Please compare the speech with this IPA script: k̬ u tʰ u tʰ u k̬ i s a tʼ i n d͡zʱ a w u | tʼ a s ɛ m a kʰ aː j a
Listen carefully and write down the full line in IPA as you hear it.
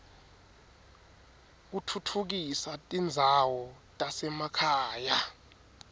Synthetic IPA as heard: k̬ u tʰ u tʰ u k̬ i s a tʼ i n d͡zʱ a w ɔ | tʼ a s ɛ m a kʰ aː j a